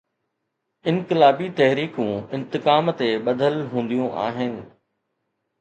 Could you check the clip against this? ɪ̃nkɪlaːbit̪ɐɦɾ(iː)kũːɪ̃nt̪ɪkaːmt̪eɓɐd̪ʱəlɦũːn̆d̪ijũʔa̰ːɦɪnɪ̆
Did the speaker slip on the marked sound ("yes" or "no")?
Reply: no